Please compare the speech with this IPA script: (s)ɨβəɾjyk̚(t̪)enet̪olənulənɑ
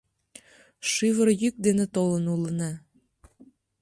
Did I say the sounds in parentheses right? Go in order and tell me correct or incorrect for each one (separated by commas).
incorrect, incorrect